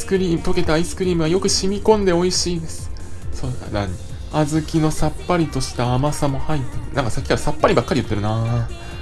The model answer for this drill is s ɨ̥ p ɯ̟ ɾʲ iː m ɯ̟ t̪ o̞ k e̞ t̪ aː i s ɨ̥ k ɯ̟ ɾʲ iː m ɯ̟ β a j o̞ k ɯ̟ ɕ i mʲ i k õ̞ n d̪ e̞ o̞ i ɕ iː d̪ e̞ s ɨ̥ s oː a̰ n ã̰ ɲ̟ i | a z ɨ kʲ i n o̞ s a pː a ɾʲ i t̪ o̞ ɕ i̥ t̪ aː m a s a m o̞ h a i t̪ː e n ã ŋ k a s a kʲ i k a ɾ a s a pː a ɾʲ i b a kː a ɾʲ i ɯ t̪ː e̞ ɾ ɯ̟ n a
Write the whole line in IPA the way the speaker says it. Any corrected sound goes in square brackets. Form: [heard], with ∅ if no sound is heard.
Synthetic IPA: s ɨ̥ [k] ɯ̟ ɾʲ iː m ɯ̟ t̪ o̞ k e̞ t̪ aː i s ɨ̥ k ɯ̟ ɾʲ iː m ɯ̟ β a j o̞ k ɯ̟ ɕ i mʲ i k õ̞ n d̪ e̞ o̞ i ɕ iː d̪ e̞ s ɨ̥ s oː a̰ n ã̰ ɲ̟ i | a z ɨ kʲ i n o̞ s a pː a ɾʲ i t̪ o̞ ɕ i̥ t̪ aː m a s a m o̞ h a i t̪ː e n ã ŋ k a s a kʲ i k a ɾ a s a pː a ɾʲ i b a kː a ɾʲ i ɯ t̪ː e̞ ɾ ɯ̟ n a